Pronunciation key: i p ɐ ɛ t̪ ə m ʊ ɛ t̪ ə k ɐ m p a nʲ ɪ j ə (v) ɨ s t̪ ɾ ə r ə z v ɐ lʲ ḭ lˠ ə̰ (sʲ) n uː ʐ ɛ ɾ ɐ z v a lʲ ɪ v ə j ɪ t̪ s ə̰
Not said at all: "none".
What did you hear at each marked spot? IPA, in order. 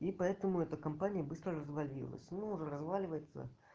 b, sʲ

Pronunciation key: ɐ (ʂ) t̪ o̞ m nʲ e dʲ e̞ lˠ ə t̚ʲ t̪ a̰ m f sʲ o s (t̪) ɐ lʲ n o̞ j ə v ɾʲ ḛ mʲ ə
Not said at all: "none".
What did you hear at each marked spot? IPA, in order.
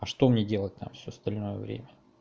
ʂ, t̪

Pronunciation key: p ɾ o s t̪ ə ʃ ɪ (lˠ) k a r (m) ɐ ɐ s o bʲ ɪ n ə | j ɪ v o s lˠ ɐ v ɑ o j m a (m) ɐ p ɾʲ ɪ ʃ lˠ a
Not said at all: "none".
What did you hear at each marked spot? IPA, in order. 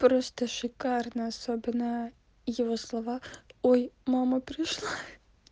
none, n, m

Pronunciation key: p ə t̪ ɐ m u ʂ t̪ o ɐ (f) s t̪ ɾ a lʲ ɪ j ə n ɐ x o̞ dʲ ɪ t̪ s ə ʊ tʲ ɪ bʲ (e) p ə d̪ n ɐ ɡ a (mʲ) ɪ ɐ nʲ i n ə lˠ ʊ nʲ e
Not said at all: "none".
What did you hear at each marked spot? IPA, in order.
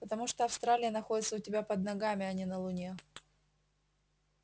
f, a, mʲ

